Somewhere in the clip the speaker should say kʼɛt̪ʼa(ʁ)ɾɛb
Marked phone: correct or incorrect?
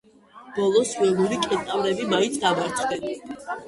incorrect